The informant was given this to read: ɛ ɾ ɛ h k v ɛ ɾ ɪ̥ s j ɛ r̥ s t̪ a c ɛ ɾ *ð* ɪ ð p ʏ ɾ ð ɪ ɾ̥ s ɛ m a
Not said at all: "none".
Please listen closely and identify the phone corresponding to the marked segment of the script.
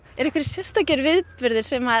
v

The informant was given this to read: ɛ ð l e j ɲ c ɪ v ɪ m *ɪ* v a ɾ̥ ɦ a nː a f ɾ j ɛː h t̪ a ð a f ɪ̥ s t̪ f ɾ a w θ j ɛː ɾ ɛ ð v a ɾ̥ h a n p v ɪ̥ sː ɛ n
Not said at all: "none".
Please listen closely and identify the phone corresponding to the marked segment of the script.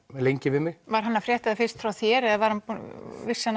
ɪ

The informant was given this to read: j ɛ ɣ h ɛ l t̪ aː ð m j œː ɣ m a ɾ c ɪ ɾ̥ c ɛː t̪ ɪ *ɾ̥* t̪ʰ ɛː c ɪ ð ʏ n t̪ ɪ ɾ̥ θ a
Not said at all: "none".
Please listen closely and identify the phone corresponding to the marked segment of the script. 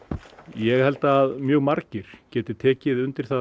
none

